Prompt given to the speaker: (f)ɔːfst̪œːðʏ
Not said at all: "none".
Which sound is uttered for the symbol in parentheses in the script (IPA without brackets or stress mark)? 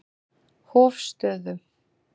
h